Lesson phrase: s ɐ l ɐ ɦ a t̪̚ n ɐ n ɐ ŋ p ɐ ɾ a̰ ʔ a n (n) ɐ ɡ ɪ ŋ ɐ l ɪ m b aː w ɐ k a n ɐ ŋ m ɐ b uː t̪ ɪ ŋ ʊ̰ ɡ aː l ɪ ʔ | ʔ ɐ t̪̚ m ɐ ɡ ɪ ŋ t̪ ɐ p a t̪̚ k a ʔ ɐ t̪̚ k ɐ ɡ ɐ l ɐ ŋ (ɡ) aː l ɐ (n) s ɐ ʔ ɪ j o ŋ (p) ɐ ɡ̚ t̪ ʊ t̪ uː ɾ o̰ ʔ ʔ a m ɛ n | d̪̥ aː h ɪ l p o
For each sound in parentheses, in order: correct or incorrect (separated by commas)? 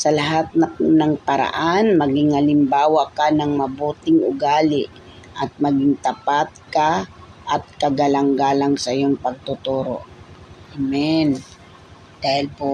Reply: incorrect, correct, incorrect, correct